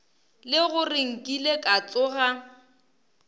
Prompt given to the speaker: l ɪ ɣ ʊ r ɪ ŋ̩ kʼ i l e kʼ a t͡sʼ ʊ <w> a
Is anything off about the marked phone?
yes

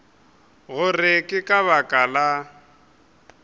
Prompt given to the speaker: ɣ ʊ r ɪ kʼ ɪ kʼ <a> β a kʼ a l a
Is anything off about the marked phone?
no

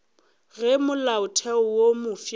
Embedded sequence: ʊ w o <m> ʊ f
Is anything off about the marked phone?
no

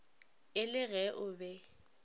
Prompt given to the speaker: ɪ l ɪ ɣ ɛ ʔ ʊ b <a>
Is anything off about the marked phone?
yes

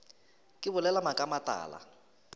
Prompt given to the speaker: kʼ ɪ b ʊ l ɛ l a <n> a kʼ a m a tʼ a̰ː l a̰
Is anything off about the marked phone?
yes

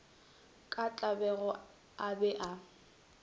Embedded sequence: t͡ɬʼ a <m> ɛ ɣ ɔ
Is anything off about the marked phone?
yes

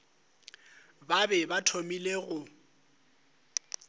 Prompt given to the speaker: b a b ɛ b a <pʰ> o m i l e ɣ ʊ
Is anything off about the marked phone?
yes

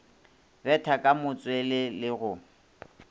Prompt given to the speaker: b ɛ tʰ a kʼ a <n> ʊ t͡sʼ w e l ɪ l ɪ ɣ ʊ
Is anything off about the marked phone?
yes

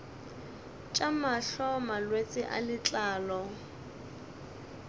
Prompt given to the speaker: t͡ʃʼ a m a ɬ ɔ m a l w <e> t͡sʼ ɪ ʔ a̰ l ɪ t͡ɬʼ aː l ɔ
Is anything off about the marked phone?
no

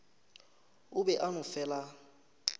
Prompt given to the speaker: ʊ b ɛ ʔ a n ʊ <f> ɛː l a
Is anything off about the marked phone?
no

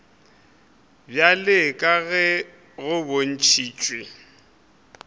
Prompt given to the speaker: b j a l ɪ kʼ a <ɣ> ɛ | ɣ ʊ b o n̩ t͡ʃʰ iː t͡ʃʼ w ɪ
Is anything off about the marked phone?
no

